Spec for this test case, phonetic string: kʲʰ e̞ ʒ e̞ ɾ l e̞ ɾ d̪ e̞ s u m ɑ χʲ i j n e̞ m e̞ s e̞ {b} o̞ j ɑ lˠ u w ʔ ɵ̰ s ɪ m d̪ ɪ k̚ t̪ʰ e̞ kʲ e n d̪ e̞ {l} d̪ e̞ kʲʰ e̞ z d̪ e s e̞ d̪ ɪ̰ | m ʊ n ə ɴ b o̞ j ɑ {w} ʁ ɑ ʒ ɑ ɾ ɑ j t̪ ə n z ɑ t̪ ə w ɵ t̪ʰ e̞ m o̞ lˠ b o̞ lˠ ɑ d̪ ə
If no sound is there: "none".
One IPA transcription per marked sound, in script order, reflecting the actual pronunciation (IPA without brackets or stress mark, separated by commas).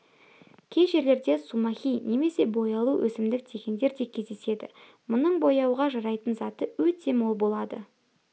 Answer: b, ɾ, w